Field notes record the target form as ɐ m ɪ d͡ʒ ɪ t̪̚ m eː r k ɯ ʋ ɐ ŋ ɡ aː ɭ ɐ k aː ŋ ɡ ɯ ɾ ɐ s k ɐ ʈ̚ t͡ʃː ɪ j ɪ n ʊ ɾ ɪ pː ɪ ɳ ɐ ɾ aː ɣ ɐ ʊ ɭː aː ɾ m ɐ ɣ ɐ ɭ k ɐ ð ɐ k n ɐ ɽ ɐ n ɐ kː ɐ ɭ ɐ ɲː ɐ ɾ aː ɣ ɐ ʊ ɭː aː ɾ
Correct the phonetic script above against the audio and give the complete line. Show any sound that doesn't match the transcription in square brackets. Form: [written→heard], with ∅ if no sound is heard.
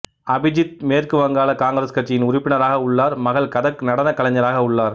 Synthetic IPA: ɐ [m→b] ɪ d͡ʒ ɪ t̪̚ m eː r k ɯ ʋ ɐ ŋ ɡ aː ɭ ɐ k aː ŋ ɡ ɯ ɾ ɐ s k ɐ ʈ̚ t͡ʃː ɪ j ɪ n ʊ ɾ ɪ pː ɪ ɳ ɐ ɾ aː ɣ ɐ ʊ ɭː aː ɾ m ɐ ɣ ɐ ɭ k ɐ ð ɐ k n ɐ ɽ ɐ n ɐ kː ɐ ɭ ɐ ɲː ɐ ɾ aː ɣ ɐ ʊ ɭː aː ɾ